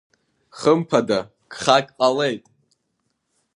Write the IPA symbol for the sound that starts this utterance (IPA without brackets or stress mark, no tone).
χ